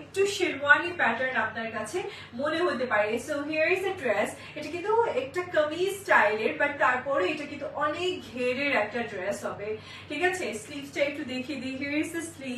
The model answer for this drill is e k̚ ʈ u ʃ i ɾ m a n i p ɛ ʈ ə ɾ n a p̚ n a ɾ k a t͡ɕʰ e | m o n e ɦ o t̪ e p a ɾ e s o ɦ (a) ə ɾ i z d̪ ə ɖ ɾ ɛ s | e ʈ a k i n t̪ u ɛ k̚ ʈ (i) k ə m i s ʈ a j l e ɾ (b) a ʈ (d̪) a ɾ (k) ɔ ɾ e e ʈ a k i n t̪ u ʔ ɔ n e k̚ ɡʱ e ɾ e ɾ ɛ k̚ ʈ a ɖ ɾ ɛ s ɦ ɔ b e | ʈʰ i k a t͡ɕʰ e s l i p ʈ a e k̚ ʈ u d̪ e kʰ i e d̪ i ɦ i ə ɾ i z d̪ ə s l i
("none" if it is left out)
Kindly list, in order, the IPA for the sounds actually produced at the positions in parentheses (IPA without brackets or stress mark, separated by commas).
i, a, b, t̪, p